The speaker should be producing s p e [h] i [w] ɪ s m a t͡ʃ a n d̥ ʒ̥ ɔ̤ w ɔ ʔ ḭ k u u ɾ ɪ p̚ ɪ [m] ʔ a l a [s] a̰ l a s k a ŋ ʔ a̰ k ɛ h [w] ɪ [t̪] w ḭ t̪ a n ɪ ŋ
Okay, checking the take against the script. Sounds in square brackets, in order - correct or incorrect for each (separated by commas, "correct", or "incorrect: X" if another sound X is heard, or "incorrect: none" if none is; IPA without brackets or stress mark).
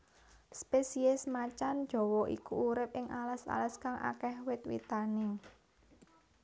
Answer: incorrect: s, incorrect: none, incorrect: ŋ, correct, correct, correct